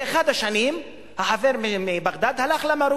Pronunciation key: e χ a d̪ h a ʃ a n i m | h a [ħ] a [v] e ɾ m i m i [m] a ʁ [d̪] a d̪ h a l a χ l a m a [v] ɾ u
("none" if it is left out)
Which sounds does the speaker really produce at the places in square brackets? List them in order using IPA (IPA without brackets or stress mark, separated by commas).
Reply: ħ, v, b, d̪, none